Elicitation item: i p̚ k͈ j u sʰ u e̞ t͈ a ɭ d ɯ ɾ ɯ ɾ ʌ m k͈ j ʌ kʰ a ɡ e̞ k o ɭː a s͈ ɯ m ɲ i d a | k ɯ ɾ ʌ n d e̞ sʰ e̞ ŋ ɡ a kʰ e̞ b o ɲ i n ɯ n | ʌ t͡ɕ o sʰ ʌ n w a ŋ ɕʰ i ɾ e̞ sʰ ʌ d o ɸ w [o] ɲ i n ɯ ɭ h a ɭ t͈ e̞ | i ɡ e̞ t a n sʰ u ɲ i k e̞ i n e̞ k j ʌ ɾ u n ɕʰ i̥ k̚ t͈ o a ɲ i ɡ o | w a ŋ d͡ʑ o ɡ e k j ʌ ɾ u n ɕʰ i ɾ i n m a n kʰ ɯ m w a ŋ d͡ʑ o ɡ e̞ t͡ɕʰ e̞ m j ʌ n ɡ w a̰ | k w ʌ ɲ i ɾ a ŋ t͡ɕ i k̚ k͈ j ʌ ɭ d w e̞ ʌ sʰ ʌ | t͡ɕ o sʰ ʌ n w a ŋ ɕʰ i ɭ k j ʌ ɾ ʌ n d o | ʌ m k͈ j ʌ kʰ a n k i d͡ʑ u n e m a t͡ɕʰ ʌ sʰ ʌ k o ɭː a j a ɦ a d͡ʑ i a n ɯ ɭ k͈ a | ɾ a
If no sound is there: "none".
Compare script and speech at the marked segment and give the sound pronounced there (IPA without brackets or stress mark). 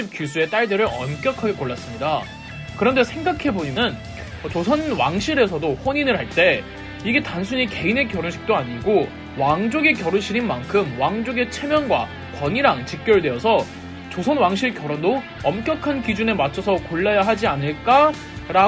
o